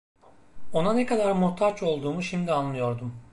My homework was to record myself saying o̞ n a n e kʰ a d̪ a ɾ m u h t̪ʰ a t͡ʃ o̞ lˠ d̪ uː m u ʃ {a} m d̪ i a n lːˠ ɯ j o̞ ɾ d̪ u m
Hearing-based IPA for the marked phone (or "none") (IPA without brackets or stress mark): i